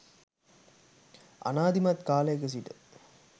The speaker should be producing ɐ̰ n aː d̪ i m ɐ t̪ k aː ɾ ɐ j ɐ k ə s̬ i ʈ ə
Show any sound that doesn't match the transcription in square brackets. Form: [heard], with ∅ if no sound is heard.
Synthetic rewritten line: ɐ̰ n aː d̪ i m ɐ t̪ k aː [l] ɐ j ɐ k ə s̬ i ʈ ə